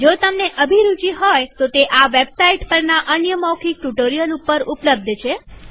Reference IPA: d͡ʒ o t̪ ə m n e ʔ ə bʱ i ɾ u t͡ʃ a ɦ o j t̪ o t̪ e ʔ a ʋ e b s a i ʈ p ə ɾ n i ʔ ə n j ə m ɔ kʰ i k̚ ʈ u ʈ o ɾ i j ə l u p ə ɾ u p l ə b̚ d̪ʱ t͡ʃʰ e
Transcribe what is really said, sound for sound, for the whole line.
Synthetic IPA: d͡ʒ o t̪ ə m n e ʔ ə bʱ i ɾ u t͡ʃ i ɦ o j t̪ o t̪ e ʔ a ʋ e b s a i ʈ p ə ɾ n a ʔ ə n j ə m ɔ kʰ i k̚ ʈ u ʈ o ɾ i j ə l u p ə ɾ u p l ə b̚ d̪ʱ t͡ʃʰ e